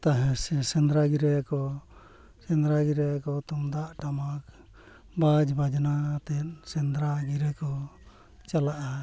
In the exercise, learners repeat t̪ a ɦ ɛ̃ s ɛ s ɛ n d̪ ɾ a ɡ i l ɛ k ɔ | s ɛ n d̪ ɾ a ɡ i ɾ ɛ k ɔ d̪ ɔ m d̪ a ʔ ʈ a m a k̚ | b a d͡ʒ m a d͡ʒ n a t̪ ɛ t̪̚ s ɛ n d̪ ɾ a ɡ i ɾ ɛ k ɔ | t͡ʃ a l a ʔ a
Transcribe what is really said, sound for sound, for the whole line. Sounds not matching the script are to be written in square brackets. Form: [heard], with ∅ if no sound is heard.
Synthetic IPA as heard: t̪ a ɦ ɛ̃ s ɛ s ɛ n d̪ ɾ a ɡ i [ɾ] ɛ k ɔ | s ɛ n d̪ ɾ a ɡ i ɾ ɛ k ɔ [t̪] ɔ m d̪ a ʔ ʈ a m a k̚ | b a d͡ʒ [b] a d͡ʒ n a t̪ ɛ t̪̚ s ɛ n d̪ ɾ a ɡ i ɾ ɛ k ɔ | t͡ʃ a l a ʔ a